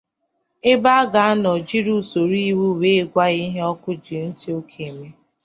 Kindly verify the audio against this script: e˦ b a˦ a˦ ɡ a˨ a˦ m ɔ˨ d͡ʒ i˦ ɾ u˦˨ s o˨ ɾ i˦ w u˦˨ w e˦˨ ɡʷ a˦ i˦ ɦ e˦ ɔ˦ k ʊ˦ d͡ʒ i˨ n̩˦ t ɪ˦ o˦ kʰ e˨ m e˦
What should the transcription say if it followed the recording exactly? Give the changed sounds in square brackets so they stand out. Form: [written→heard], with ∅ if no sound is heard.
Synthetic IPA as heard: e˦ b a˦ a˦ ɡ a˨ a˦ [m→n] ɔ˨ d͡ʒ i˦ ɾ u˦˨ s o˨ ɾ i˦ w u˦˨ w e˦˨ ɡʷ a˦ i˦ ɦ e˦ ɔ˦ k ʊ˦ d͡ʒ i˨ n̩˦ t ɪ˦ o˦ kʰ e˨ m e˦